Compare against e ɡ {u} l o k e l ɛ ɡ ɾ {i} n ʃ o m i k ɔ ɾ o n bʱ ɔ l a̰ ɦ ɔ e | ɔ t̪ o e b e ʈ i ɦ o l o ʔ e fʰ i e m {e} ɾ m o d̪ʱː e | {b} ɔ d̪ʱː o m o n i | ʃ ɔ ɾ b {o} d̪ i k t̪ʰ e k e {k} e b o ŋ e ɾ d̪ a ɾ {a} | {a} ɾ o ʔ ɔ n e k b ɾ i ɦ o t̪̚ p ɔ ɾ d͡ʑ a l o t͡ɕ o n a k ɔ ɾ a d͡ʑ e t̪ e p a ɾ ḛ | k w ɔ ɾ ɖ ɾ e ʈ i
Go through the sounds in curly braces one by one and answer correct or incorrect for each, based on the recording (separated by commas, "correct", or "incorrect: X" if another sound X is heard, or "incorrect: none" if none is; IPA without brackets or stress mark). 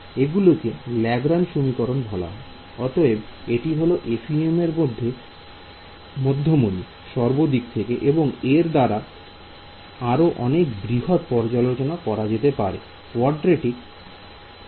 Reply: correct, incorrect: a, correct, incorrect: m, correct, incorrect: ʔ, correct, correct